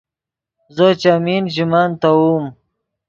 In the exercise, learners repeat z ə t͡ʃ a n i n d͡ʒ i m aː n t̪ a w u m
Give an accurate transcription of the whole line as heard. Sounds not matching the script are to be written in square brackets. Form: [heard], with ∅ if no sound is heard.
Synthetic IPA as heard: z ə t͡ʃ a [m] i n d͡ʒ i m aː n t̪ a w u m